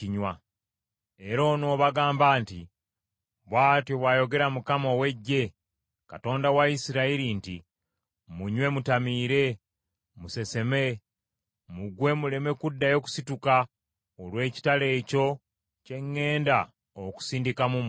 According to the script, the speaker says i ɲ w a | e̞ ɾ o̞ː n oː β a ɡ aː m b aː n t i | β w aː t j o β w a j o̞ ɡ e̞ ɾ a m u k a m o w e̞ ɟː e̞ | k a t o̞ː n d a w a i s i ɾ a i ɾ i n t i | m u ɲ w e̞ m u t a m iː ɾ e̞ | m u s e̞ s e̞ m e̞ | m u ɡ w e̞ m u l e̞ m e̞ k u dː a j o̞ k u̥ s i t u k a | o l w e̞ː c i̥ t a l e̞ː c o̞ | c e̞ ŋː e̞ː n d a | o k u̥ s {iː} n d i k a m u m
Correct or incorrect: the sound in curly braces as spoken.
correct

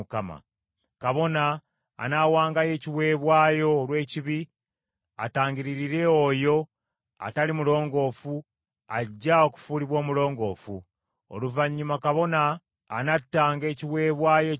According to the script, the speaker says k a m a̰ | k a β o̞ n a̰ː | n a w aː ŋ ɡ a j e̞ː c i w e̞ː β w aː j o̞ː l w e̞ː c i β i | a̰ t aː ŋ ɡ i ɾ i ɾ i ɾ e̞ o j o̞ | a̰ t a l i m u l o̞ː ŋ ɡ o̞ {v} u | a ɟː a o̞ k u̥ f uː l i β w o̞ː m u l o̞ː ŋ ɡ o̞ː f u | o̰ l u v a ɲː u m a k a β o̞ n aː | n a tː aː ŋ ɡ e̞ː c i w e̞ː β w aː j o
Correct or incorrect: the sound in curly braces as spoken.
incorrect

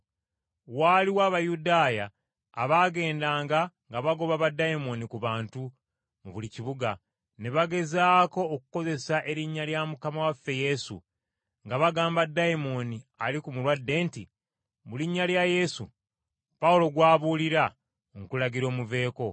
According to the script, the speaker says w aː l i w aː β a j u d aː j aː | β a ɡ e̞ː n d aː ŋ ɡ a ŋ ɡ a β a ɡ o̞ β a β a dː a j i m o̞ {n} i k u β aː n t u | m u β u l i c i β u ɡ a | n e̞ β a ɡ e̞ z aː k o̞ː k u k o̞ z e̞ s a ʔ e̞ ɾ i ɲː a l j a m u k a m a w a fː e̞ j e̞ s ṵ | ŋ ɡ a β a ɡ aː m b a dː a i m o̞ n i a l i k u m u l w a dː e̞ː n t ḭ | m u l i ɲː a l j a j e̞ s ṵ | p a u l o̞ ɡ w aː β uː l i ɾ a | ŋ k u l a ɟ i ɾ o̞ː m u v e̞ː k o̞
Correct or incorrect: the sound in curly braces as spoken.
correct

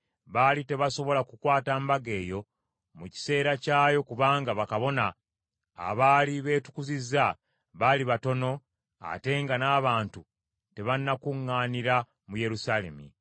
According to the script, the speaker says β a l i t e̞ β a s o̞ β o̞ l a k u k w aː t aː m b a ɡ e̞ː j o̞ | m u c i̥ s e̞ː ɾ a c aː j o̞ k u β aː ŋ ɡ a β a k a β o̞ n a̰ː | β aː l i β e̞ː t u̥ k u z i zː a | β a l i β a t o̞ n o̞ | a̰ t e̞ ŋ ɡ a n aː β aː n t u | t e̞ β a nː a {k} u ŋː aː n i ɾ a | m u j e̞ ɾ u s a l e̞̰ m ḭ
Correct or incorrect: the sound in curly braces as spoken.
correct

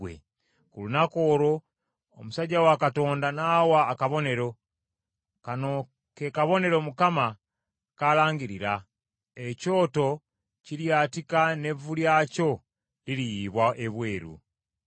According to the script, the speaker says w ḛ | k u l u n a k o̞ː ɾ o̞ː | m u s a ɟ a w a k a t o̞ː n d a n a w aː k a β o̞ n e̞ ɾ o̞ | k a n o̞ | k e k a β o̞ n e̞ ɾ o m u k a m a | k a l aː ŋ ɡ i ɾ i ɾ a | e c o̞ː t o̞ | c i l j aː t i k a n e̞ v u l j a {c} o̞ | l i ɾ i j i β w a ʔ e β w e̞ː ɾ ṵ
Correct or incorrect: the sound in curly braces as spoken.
correct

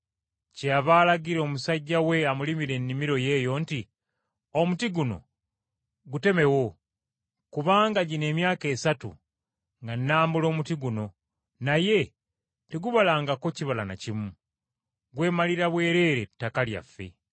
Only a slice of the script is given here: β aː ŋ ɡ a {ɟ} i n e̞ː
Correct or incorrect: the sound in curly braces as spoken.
correct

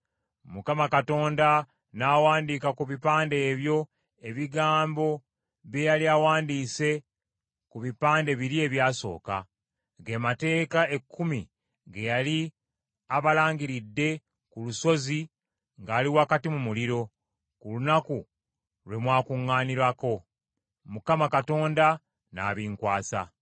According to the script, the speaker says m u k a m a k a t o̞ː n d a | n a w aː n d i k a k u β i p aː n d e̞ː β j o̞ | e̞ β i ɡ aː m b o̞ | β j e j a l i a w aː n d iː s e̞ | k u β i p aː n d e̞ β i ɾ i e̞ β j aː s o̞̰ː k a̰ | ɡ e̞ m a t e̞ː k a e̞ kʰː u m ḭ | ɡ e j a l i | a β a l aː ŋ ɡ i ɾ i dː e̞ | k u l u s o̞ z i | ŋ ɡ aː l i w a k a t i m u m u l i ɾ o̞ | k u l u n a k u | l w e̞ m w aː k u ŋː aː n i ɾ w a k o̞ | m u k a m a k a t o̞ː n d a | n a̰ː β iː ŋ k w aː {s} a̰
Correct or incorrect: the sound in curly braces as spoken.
correct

